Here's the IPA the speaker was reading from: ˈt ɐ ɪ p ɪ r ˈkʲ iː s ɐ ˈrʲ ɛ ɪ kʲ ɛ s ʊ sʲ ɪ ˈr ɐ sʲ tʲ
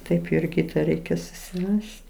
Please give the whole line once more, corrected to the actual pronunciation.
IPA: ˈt ɐ ɪ p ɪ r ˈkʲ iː t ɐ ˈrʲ ɛ ɪ kʲ ɛ s ʊ sʲ ɪ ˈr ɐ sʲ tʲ